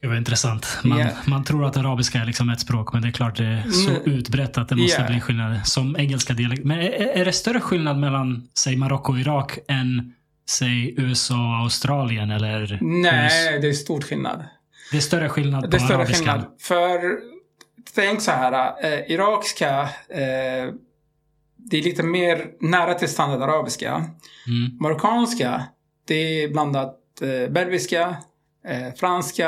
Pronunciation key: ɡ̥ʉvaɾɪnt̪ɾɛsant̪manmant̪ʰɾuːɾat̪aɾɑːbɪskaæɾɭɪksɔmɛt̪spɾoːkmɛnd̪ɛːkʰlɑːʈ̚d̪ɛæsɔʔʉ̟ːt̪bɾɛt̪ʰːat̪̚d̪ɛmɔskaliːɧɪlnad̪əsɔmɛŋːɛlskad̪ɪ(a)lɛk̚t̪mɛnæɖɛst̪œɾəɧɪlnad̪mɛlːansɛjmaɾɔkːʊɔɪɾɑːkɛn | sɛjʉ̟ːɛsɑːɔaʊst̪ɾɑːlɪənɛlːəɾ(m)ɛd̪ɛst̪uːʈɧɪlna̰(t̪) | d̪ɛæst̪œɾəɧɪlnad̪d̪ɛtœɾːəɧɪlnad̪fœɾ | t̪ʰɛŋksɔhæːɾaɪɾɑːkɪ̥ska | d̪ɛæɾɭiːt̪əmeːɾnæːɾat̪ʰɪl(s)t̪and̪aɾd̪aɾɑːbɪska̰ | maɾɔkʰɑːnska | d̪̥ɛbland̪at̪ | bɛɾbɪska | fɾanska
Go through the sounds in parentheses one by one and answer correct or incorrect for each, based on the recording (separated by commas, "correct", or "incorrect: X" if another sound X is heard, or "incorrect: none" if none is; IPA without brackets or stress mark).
correct, incorrect: n, incorrect: d̪, correct